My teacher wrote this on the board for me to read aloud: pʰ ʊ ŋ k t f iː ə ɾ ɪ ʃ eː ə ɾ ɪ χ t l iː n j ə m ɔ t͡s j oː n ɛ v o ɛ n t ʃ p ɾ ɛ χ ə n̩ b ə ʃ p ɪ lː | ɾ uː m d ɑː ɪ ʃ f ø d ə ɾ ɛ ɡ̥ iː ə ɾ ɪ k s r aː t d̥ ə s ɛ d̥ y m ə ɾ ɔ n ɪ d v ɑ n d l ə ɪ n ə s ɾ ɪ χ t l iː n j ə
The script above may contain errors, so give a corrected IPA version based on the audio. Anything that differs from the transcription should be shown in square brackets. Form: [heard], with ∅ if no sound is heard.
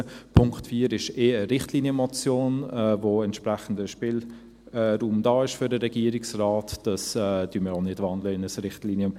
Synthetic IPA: pʰ ʊ ŋ k t f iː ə ɾ ɪ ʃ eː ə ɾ ɪ χ t l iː n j ə m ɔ t͡s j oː n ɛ v o ɛ n t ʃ p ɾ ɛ χ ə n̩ [d] ə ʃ p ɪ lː | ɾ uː m d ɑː ɪ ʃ f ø d ə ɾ ɛ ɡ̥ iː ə ɾ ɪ k s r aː t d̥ [ɑ] s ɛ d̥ y m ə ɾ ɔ n ɪ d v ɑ n d l ə ɪ n ə s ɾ ɪ χ t l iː n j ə